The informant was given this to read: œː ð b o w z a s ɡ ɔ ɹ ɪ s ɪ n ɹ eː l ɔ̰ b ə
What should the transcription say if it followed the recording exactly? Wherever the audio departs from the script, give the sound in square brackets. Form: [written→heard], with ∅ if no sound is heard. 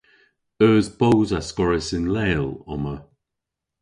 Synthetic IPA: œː [ð→z] b o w z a s [ɡ→k] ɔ ɹ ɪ s ɪ n [ɹ→l] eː l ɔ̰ [b→m] ə